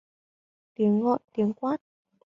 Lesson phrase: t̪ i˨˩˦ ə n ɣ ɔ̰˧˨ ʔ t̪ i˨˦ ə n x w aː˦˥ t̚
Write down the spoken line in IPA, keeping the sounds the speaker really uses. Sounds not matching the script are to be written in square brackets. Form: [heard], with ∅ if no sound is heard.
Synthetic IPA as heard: t̪ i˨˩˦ ə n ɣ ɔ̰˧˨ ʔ t̪ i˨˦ ə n [k] w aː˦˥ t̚